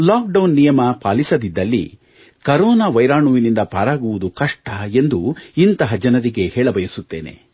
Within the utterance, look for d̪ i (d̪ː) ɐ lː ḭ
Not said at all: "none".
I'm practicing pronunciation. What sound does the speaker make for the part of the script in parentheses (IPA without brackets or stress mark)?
d̪ː